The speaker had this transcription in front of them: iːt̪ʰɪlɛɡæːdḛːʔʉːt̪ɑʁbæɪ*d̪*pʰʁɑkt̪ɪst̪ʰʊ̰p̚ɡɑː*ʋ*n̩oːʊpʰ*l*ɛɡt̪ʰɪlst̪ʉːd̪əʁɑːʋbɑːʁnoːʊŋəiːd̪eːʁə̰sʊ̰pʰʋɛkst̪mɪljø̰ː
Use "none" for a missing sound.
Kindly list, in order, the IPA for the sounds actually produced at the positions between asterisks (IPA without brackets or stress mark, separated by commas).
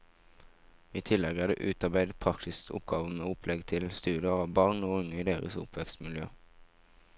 d̪, ʋ, l